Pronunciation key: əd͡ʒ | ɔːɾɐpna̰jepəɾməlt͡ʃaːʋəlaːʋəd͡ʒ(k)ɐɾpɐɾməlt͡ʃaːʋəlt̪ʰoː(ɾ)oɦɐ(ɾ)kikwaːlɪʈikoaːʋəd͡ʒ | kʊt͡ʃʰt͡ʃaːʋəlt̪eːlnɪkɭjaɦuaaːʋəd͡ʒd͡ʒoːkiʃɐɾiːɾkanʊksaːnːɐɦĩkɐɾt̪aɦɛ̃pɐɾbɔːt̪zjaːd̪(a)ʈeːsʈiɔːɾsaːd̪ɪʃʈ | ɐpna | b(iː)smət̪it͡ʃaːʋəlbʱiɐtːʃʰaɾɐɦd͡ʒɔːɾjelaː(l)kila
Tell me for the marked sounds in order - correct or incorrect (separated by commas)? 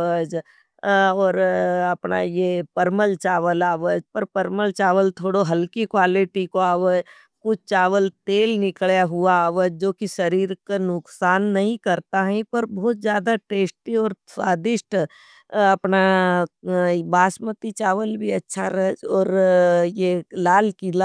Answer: incorrect, incorrect, incorrect, correct, incorrect, correct